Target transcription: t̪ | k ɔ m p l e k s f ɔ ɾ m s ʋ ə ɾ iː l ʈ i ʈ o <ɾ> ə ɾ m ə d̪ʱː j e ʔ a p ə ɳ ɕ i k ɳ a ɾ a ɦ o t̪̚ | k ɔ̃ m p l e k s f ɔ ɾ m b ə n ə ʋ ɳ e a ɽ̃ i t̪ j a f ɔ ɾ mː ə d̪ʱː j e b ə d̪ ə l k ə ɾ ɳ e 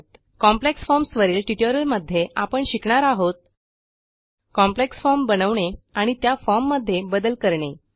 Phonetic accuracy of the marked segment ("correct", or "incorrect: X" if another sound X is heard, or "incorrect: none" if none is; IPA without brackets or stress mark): correct